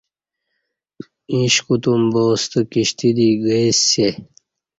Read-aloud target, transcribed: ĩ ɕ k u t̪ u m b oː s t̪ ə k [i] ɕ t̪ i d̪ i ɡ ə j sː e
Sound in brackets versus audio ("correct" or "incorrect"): correct